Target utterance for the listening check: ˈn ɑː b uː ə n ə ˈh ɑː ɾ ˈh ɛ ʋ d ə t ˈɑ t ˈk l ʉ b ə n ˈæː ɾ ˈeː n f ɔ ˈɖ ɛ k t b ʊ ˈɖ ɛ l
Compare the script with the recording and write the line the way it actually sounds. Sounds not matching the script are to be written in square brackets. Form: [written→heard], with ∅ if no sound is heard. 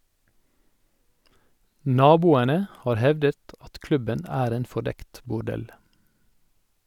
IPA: ˈn ɑː b uː ə n ə ˈh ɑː ɾ ˈh ɛ ʋ d ə t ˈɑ t ˈk l ʉ b ə n ˈæː ɾ ˈeː n f ɔ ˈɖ ɛ k t b ʊ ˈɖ ɛ l